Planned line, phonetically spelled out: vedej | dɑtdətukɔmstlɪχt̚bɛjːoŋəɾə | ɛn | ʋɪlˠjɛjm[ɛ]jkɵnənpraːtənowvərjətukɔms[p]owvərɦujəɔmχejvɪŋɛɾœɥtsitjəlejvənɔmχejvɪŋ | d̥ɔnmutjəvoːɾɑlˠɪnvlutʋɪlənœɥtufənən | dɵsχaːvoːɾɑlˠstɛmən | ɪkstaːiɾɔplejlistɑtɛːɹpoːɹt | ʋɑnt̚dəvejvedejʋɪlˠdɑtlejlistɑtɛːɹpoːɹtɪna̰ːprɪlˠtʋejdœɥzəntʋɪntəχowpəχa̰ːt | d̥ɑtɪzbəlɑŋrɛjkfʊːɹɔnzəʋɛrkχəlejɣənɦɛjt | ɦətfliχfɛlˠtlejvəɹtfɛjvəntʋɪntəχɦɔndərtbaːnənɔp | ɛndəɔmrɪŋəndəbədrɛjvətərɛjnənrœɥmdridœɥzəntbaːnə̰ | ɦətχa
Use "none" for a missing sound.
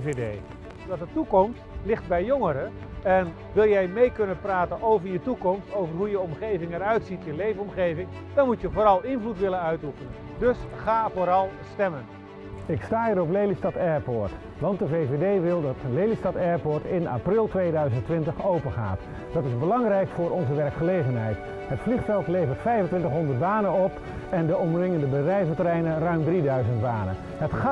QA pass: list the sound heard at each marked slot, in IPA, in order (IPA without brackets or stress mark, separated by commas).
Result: e, t